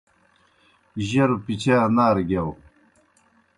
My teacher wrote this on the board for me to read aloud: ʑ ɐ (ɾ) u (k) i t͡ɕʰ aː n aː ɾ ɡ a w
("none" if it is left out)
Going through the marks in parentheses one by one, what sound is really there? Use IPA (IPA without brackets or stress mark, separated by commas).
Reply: ɾ, p